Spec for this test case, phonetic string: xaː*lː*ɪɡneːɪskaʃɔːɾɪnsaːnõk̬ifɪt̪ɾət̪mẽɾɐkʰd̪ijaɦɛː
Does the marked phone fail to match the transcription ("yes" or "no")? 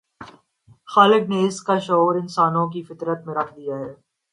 yes